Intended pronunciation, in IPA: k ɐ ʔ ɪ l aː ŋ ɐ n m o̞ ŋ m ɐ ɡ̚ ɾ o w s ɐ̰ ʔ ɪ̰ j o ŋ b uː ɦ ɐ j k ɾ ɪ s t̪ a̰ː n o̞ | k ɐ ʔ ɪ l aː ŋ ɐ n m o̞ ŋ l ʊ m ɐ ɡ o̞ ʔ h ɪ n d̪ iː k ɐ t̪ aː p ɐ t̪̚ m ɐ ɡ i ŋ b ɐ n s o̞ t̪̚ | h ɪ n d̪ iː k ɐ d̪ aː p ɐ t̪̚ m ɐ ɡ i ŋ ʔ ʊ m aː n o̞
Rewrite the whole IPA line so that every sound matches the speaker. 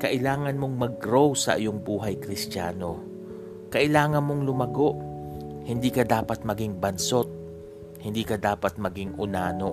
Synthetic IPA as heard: k ɐ ʔ ɪ l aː ŋ ɐ n m o̞ ŋ m ɐ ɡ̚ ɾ o w s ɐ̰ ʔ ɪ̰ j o ŋ b uː ɦ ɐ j k ɾ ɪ s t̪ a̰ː n o̞ | k ɐ ʔ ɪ l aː ŋ ɐ n m o̞ ŋ l ʊ m ɐ ɡ o̞ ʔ h ɪ n d̪ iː k ɐ d̪ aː p ɐ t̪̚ m ɐ ɡ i ŋ b ɐ n s o̞ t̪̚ | h ɪ n d̪ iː k ɐ d̪ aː p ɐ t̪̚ m ɐ ɡ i ŋ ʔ ʊ n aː n o̞